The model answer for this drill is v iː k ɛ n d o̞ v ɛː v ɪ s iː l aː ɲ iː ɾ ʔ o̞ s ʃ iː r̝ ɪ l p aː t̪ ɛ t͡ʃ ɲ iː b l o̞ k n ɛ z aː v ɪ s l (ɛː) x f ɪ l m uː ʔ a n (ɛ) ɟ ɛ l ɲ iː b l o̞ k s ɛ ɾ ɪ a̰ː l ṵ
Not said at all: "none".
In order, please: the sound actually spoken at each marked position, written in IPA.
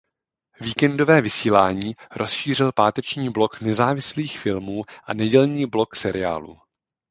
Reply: iː, ɛ

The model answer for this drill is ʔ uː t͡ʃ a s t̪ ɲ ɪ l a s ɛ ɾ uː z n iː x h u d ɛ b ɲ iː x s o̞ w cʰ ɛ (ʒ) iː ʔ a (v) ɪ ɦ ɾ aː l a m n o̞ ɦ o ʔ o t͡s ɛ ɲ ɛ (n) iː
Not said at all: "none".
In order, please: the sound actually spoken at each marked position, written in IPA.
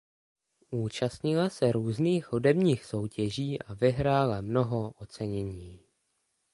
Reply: ʒ, v, ɲ

